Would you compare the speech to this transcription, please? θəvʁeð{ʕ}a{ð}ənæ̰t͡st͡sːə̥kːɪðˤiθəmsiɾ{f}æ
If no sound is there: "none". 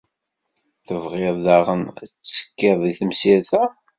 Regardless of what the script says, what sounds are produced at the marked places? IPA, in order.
ð, ʁ, θ

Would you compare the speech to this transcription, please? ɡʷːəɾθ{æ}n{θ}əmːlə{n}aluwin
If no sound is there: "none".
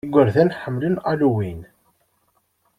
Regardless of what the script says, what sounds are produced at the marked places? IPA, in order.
æ, ħ, n

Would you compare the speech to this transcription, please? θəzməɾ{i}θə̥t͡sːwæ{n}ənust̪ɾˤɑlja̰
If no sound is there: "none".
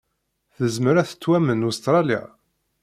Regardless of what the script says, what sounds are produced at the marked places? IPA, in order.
æ, m

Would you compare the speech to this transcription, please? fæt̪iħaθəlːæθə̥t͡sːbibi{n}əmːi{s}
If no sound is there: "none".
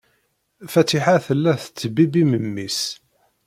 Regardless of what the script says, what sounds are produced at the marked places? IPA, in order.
m, s

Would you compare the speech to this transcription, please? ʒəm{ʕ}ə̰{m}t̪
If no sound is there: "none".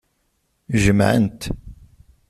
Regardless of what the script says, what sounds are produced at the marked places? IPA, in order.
ʕ, n

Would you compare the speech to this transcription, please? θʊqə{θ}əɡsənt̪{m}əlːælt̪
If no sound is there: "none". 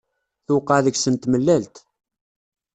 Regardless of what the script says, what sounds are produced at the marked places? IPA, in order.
ð, m

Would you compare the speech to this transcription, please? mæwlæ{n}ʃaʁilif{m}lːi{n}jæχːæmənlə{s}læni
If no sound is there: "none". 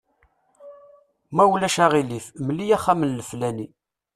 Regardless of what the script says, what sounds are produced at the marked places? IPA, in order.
none, m, none, f

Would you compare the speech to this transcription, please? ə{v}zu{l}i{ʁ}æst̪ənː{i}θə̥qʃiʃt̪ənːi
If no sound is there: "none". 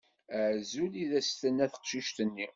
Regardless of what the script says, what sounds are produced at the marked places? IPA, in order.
ʕ, l, ð, æ

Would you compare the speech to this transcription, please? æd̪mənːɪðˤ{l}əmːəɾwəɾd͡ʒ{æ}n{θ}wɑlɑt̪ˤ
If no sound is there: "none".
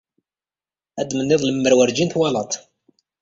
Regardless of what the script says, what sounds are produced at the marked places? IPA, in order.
l, i, θ

